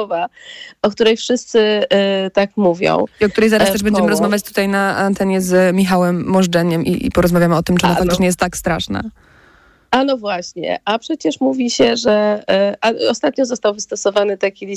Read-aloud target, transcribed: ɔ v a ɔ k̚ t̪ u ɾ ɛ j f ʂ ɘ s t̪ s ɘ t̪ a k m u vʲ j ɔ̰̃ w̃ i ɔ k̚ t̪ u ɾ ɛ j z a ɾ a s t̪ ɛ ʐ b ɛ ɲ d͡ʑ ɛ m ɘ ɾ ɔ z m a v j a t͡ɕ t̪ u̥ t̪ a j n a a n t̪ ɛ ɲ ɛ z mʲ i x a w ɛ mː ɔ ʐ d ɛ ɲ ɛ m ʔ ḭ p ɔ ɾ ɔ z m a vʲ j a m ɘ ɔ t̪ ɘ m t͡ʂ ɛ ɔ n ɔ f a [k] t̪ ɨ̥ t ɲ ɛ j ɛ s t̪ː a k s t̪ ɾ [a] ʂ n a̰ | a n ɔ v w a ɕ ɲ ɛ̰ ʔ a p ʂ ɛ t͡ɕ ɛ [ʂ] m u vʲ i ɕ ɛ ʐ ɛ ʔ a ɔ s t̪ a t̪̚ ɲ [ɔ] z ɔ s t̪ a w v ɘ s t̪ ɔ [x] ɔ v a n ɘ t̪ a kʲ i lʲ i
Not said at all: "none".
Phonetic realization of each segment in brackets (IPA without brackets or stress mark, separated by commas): k, a, ʂ, ɔ, s